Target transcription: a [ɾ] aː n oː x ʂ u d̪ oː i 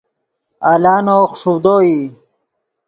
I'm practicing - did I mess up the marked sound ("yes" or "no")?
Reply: yes